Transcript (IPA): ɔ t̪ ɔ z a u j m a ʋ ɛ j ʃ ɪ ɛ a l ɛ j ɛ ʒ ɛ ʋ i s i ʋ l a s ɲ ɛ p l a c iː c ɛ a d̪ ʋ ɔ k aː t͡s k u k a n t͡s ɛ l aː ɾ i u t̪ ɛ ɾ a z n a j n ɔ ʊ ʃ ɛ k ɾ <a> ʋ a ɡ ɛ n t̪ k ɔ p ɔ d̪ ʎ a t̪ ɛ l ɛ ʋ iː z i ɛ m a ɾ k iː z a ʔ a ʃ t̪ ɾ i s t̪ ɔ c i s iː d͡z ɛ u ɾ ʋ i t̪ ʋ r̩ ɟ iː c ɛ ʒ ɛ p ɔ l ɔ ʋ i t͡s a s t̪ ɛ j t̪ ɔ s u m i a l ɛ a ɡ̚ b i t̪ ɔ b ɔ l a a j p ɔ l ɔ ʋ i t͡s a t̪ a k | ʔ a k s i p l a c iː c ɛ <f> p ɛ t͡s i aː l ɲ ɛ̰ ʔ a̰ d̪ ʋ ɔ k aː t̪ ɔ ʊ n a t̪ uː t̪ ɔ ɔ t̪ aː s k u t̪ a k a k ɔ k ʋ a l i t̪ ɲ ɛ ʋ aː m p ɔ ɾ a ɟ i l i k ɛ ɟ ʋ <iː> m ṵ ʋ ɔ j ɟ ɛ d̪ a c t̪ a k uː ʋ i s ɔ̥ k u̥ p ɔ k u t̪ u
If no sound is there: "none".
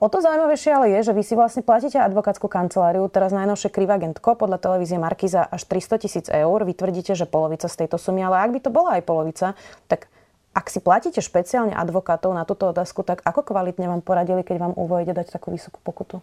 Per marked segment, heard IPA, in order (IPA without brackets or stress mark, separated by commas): i, ʃ, aː